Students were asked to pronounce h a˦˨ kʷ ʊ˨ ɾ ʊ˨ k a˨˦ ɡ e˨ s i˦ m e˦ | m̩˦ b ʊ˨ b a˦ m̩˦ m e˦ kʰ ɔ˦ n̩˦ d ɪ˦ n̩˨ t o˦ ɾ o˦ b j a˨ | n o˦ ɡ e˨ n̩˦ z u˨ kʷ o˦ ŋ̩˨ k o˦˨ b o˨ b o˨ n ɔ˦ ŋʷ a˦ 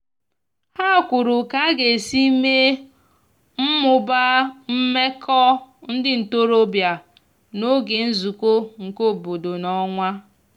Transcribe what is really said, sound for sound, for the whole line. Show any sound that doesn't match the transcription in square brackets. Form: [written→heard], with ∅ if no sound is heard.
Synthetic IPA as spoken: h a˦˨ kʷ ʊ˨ ɾ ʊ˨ k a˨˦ ɡ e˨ s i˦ m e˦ | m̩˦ [b→m] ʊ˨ b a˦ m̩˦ m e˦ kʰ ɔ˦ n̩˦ d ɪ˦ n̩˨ t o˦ ɾ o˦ b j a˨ | n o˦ ɡ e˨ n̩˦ z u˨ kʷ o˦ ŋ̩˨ k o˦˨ b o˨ [b→d] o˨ n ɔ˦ ŋʷ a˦